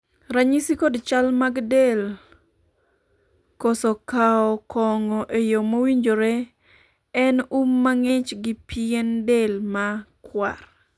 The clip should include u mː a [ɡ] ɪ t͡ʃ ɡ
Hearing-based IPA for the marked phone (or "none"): ŋ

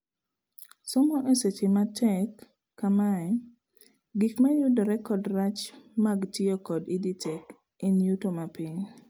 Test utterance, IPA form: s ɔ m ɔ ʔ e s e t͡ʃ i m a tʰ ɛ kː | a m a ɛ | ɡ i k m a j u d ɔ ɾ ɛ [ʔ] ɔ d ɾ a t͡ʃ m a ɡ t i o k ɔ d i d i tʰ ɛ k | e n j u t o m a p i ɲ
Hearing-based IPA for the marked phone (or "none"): k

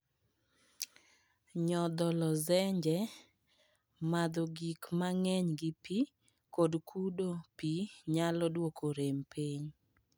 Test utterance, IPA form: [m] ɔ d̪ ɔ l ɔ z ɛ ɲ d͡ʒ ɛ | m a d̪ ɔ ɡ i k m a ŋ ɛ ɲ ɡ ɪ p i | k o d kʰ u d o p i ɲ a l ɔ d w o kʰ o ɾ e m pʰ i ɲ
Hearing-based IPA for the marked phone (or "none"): ɲ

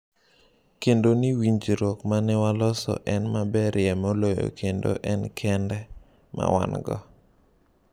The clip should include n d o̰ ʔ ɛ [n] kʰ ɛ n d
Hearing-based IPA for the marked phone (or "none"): n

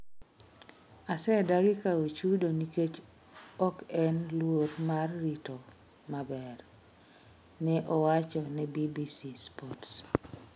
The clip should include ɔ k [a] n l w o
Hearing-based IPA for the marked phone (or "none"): ɛ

